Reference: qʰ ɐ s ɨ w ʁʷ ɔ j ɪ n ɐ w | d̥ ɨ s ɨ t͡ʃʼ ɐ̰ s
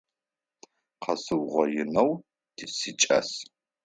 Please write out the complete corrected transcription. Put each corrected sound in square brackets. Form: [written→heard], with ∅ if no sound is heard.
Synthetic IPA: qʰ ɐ s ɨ w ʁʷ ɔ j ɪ n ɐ w | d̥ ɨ s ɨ t͡ʃʼ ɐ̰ s